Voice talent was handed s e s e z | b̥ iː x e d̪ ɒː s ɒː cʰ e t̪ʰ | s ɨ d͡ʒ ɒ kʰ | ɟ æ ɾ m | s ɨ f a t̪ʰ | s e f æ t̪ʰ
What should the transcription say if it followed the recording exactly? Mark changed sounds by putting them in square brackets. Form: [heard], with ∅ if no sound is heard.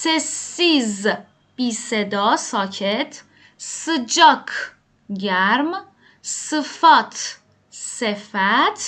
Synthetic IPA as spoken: s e s [i] z | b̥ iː [s] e d̪ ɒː s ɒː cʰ e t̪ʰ | s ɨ d͡ʒ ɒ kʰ | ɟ æ ɾ m | s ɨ f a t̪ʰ | s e f æ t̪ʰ